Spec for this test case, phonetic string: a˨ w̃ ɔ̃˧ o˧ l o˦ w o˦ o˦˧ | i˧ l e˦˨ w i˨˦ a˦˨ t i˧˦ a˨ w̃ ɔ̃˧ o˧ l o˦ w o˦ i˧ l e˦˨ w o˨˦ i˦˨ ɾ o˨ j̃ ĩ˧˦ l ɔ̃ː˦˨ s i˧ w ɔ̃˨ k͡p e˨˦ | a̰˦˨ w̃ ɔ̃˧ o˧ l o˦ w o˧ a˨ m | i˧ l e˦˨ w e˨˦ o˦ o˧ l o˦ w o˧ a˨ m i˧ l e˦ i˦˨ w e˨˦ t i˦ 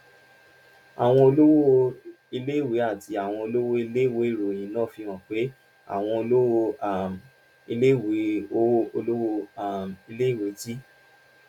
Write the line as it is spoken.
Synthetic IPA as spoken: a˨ w̃ ɔ̃˧ o˧ l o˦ w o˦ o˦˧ | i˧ l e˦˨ w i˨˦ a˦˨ t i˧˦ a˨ w̃ ɔ̃˧ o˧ l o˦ w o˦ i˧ l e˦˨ w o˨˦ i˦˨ ɾ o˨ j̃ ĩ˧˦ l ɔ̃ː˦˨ f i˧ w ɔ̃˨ k͡p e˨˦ | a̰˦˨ w̃ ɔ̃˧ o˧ l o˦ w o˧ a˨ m | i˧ l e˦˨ w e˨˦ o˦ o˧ l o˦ w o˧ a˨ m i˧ l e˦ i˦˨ w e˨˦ t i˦